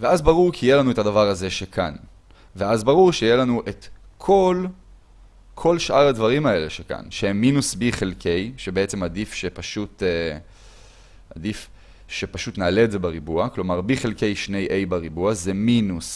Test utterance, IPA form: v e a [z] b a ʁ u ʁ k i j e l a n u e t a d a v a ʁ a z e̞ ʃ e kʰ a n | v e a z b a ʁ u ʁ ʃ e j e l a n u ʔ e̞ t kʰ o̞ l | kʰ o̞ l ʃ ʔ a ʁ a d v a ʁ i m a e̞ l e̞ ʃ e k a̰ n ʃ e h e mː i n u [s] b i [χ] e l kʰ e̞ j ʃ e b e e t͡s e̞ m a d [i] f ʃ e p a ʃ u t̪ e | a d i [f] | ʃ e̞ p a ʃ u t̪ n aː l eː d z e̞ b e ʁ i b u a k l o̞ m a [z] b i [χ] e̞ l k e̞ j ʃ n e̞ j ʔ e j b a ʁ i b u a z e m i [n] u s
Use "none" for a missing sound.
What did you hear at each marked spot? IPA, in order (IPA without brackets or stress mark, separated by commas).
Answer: z, s, χ, i, f, ʁ, χ, n